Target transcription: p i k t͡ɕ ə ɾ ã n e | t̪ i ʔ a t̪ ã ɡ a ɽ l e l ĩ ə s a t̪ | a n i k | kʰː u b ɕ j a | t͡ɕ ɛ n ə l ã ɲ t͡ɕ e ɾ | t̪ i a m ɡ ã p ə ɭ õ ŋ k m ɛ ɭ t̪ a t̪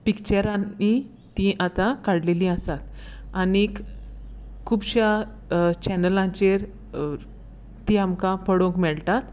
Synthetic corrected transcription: p i k t͡ɕ ə ɾ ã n i | t̪ i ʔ a t̪ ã k a ɽ l e l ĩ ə s a t̪ | a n i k | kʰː u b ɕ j a | t͡ɕ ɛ n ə l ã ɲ t͡ɕ e ɾ | t̪ i a m k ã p ə ɽ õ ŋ k m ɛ ɭ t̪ a t̪